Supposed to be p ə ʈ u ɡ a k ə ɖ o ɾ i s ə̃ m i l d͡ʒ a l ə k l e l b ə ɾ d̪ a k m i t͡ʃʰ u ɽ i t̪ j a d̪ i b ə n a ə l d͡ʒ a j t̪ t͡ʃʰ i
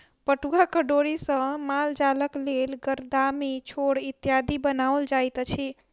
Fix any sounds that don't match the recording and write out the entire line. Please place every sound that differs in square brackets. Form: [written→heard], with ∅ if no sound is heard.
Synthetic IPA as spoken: p ə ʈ u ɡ a k ə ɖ o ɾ i s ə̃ m [i→a] l d͡ʒ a l ə k l e l [b→ɡ] ə ɾ d̪ a [k→∅] m i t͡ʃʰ [u→o] ɽ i t̪ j a d̪ i b ə n a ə l d͡ʒ a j t̪ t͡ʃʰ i